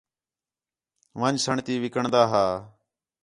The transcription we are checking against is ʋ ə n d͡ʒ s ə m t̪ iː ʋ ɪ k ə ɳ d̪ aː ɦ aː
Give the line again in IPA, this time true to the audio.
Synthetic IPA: ʋ ə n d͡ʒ s ə ɳ t̪ iː ʋ ɪ k ə ɳ d̪ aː ɦ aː